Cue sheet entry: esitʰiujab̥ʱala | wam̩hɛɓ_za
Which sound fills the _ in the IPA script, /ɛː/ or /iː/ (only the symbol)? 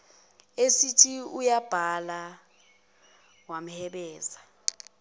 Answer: ɛː